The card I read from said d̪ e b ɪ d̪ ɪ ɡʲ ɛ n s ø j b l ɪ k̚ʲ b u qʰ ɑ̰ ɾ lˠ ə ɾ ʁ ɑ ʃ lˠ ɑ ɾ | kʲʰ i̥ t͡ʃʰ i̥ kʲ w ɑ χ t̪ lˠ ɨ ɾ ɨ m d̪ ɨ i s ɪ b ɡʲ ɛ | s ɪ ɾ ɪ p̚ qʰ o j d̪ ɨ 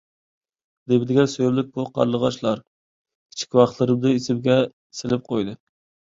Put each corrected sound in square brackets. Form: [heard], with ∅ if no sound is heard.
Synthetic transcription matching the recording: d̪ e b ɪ d̪ ɪ ɡʲ ɛ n s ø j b l ɪ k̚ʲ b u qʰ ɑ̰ ɾ lˠ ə [∅] ʁ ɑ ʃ lˠ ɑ ɾ | kʲʰ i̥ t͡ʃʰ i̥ kʲ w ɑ χ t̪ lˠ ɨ ɾ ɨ m d̪ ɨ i s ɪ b ɡʲ ɛ | s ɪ [l] ɪ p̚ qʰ o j d̪ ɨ